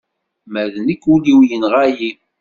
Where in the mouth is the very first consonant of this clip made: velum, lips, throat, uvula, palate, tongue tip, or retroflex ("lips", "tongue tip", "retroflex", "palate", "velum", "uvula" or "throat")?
lips